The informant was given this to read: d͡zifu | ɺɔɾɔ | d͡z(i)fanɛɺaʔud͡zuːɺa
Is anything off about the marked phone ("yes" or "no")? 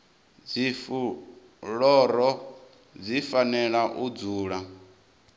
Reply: no